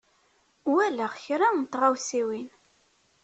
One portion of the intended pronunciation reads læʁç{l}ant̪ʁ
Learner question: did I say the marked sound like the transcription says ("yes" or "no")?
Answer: no